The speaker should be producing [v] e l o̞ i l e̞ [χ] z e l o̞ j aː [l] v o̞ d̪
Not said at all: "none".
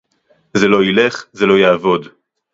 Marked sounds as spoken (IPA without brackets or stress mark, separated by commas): z, χ, none